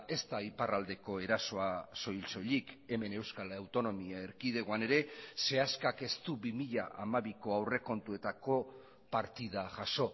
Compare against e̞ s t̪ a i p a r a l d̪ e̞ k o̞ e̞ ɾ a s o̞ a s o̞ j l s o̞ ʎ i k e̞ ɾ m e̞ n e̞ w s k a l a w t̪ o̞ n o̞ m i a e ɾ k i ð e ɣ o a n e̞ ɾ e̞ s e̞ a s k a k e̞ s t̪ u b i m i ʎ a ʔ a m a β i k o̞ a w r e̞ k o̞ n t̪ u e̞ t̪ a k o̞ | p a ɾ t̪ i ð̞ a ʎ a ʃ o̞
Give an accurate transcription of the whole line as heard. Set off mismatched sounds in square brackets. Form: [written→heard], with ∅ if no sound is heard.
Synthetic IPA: e̞ s t̪ a i p a r a l d̪ e̞ k o̞ e̞ ɾ a s o̞ a s o̞ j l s o̞ ʎ i k e̞ [ɾ→∅] m e̞ n e̞ w s k a l a w t̪ o̞ n o̞ m i a e ɾ k i ð e ɣ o a n e̞ ɾ e̞ s e̞ a s k a k e̞ s t̪ u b i m i ʎ a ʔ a m a β i k o̞ a w r e̞ k o̞ n t̪ u e̞ t̪ a k o̞ | p a ɾ t̪ i ð̞ a [ʎ→ʝ] a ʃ o̞